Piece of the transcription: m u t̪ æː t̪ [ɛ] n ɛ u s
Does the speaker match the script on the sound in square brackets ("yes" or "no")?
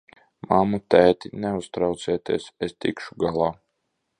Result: no